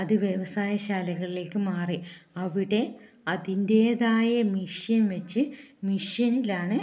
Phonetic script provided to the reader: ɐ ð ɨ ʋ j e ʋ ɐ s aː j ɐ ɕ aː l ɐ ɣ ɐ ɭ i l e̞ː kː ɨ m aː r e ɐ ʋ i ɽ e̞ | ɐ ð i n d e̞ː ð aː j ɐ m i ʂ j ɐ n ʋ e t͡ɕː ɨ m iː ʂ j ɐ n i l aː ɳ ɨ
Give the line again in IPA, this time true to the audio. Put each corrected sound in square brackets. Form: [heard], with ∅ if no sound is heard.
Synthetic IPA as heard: ɐ ð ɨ ʋ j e ʋ ɐ s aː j ɐ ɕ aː l ɐ ɣ ɐ ɭ i l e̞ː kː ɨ m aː r [i] ɐ ʋ i ɽ e̞ | ɐ ð i n d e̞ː ð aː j ɐ m i ʂ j ɐ n ʋ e t͡ɕː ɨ m [i] ʂ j ɐ n i l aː ɳ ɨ

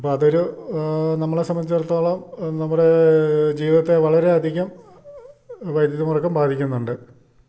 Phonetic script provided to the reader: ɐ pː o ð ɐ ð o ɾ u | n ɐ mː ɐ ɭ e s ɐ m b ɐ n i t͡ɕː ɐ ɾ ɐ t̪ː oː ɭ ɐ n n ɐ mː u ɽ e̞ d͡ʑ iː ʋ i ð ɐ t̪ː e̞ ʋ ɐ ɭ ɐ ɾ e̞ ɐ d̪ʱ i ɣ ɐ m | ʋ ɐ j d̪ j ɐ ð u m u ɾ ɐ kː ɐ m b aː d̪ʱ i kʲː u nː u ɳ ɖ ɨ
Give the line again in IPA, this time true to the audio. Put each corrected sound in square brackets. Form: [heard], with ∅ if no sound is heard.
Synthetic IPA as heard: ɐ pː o [∅] ɐ ð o ɾ u | n ɐ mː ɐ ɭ e s ɐ m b ɐ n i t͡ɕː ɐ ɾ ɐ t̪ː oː ɭ ɐ [m] n ɐ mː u ɽ e̞ d͡ʑ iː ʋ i ð ɐ t̪ː e̞ ʋ ɐ ɭ ɐ ɾ e̞ ɐ d̪ʱ i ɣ ɐ m | ʋ ɐ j d̪ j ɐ ð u m u [r] ɐ kː ɐ m b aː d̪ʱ i kʲː u nː u ɳ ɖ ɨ

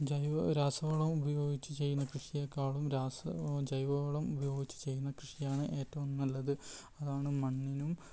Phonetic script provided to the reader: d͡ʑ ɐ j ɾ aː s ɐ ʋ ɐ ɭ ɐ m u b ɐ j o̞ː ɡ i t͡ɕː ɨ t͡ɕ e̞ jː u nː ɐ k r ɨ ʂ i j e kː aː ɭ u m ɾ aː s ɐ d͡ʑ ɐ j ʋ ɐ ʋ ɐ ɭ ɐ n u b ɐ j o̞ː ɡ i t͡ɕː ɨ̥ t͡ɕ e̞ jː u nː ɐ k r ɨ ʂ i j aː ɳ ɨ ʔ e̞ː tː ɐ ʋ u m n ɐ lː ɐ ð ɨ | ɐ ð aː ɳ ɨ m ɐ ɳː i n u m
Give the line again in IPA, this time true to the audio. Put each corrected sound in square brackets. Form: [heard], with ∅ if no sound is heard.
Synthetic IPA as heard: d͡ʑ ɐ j ɾ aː s ɐ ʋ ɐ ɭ ɐ m u b ɐ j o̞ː ɡ i t͡ɕː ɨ t͡ɕ e̞ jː u nː ɐ k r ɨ ʂ i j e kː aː ɭ u m ɾ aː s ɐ d͡ʑ ɐ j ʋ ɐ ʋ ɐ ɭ ɐ [m] u b ɐ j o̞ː ɡ i t͡ɕː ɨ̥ t͡ɕ e̞ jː u nː ɐ k r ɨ ʂ i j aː ɳ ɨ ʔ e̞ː tː ɐ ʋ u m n ɐ lː ɐ ð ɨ | ɐ ð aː ɳ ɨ m ɐ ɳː i n u m

